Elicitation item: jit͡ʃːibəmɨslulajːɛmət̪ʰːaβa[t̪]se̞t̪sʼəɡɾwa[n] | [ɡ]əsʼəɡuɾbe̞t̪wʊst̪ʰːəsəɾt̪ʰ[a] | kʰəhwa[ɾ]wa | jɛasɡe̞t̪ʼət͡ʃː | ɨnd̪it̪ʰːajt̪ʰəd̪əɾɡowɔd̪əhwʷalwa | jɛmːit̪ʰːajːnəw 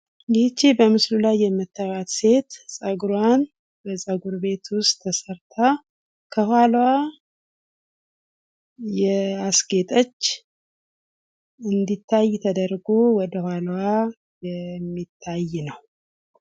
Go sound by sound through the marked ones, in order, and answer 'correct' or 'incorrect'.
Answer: correct, correct, incorrect, correct, incorrect

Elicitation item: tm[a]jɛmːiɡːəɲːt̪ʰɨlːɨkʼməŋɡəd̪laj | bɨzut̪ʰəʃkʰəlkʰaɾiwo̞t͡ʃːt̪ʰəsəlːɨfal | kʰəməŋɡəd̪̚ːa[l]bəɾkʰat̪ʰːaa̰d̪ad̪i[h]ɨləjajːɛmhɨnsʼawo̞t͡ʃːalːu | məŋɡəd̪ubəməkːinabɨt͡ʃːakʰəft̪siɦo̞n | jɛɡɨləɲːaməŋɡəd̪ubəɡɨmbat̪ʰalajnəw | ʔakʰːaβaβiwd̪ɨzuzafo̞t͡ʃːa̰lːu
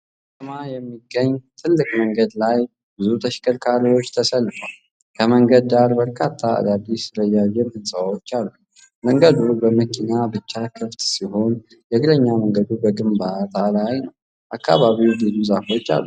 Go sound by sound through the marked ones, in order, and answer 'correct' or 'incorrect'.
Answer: correct, incorrect, incorrect

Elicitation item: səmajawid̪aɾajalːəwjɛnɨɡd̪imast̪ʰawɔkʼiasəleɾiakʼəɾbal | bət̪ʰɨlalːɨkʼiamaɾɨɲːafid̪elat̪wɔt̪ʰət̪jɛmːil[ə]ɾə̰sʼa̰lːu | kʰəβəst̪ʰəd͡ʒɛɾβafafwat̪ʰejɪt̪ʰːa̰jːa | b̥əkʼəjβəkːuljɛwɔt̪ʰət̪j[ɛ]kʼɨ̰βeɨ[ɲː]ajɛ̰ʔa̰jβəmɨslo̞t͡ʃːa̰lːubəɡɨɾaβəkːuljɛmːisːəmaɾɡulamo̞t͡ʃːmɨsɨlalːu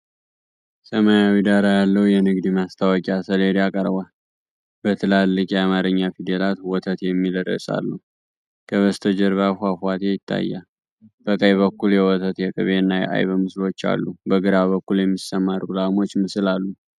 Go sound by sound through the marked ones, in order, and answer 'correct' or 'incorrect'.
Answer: correct, correct, incorrect

